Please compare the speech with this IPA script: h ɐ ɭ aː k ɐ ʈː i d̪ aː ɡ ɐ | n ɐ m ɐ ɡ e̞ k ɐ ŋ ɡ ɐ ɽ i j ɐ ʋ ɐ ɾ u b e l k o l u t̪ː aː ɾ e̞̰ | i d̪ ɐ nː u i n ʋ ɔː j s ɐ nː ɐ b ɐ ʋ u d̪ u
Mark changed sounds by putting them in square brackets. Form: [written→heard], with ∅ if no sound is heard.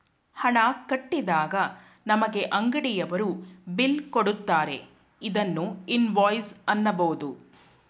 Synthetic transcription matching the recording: h ɐ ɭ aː k ɐ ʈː i d̪ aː ɡ ɐ | n ɐ m ɐ ɡ e̞ [k→ʔ] ɐ ŋ ɡ ɐ ɽ i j ɐ ʋ ɐ ɾ u b [e→i] l k o [l→ɽ] u t̪ː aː ɾ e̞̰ | i d̪ ɐ nː u i n ʋ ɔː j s ɐ nː ɐ b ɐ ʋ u d̪ u

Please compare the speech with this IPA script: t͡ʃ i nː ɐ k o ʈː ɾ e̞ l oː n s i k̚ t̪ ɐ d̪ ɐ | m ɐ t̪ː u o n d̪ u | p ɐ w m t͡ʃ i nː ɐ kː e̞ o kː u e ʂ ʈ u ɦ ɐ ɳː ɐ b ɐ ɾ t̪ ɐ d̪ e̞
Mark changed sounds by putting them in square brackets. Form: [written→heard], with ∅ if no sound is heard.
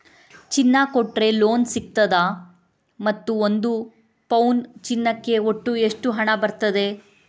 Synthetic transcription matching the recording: t͡ʃ i nː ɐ k o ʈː ɾ e̞ l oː n s i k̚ t̪ ɐ d̪ ɐ | m ɐ t̪ː u o n d̪ u | p ɐ w [m→n] t͡ʃ i nː ɐ kː e̞ o [kː→ʈː] u e ʂ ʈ u ɦ ɐ [ɳː→ɳ] ɐ b ɐ ɾ t̪ ɐ d̪ e̞

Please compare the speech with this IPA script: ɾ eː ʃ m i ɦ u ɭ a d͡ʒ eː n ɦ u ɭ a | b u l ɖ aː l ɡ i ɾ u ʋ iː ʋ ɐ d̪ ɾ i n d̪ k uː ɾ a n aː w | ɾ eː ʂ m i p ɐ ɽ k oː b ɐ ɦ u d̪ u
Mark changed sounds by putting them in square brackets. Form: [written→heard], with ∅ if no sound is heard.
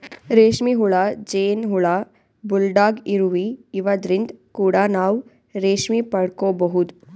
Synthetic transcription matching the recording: ɾ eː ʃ m i ɦ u ɭ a d͡ʒ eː n ɦ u ɭ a | b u l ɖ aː [l→∅] ɡ i ɾ u ʋ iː ʋ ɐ d̪ ɾ i n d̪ k uː [ɾ→ɽ] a n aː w | ɾ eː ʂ m i p ɐ ɽ k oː b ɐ ɦ u d̪ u

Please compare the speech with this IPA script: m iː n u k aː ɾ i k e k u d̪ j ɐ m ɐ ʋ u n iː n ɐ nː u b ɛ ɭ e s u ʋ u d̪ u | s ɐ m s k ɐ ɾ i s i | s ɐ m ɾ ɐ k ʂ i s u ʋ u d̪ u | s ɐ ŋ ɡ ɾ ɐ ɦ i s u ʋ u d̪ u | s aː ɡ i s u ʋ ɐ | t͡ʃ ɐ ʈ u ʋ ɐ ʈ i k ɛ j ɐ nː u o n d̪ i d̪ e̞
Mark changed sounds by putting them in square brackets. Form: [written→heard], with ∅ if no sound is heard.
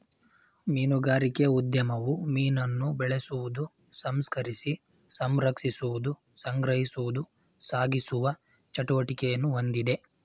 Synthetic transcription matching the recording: m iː n u [k→ɡ] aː ɾ i k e [k→∅] u d̪ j ɐ m ɐ ʋ u [n→m] iː n ɐ nː u b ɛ ɭ e s u ʋ u d̪ u | s ɐ m s k ɐ ɾ i s i | s ɐ m ɾ ɐ k ʂ i s u ʋ u d̪ u | s ɐ ŋ ɡ ɾ ɐ ɦ i s u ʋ u d̪ u | s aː ɡ i s u ʋ ɐ | t͡ʃ ɐ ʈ u ʋ ɐ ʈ i k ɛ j ɐ nː u o n d̪ i d̪ e̞

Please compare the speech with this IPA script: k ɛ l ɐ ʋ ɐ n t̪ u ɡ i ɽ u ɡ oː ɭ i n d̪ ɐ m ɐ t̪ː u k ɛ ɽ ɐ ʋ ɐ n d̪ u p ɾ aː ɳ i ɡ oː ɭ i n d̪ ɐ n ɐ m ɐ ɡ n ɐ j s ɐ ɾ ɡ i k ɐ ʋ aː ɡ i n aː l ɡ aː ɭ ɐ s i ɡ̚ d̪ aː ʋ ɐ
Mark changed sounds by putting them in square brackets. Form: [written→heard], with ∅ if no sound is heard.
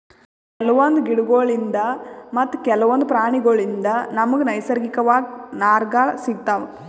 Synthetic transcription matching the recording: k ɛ l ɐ ʋ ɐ n [t̪→d̪] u ɡ i ɽ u ɡ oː ɭ i n d̪ ɐ m ɐ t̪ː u k ɛ [ɽ→l] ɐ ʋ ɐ n d̪ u p ɾ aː ɳ i ɡ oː ɭ i n d̪ ɐ n ɐ m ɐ ɡ n ɐ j s ɐ ɾ ɡ i k ɐ ʋ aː ɡ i n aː [l→ɾ] ɡ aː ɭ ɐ s i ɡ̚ [d̪→t̪] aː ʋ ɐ

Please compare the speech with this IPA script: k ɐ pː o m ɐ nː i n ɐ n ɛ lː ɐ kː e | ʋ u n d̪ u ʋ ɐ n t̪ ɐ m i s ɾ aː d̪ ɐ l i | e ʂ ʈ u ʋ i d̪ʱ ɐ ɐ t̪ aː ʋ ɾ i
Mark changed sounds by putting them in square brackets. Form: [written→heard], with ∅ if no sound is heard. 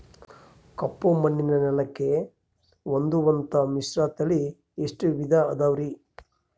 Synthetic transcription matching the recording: k ɐ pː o m ɐ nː i n ɐ n ɛ [lː→l] ɐ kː e | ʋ [u→o] n d̪ u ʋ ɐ n t̪ ɐ m i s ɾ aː [d̪→t̪] ɐ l i | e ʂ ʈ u ʋ i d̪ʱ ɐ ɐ [t̪→d̪] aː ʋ ɾ i

